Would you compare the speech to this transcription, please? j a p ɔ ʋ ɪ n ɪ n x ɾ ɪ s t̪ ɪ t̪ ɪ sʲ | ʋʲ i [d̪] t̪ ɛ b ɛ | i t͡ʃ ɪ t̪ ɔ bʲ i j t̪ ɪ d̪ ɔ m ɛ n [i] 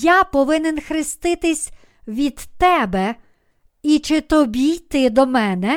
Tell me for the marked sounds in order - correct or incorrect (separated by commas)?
correct, incorrect